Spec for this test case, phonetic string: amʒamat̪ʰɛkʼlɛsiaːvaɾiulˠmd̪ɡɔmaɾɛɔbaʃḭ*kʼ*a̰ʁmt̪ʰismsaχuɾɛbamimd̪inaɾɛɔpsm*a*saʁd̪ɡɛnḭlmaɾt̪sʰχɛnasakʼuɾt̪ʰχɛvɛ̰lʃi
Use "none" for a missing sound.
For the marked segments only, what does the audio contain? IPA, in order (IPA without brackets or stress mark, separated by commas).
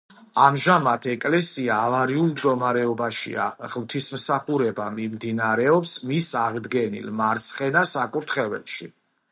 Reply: none, i